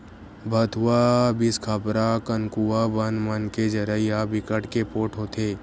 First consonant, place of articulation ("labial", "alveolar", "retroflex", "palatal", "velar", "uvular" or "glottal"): labial